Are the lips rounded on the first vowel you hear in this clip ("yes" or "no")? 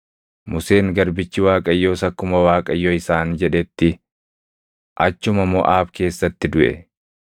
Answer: yes